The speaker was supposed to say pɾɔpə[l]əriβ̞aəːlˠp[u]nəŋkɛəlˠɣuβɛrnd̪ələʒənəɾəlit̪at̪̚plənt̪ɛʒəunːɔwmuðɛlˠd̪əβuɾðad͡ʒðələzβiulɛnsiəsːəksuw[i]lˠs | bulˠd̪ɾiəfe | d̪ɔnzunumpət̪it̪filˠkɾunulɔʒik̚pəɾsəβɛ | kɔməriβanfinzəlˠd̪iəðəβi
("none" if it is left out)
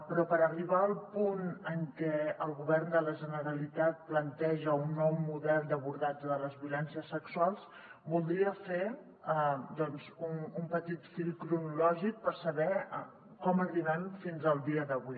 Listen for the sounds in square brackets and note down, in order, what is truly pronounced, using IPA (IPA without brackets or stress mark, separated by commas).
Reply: ɾ, u, a